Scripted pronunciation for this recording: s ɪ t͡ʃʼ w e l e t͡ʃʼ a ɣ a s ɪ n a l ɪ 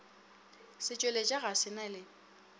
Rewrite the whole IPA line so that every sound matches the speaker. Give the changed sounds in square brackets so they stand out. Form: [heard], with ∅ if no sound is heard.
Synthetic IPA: s ɪ t͡ʃʼ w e l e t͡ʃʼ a ɣ a s ɪ n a l ɪ